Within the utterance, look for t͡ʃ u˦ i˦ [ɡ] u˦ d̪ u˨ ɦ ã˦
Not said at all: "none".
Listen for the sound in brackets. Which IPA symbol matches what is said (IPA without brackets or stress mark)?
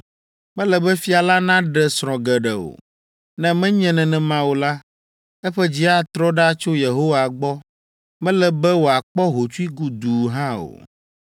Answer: ɡ